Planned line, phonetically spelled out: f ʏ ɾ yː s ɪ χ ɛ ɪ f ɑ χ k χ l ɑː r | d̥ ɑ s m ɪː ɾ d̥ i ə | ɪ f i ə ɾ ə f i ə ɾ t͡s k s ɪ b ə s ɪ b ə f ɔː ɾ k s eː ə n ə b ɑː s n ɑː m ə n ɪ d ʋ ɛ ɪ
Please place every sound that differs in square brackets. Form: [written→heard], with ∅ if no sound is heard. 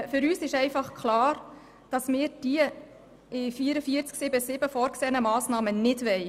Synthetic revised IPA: f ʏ ɾ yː s ɪ [χ→ʃ] ɛ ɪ f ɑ χ k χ l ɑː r | d̥ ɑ s m ɪː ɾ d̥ i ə | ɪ f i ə ɾ ə f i ə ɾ t͡s k s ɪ b ə s ɪ b ə f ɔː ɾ k s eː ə n ə [b→m] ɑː s n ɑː m ə n ɪ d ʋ ɛ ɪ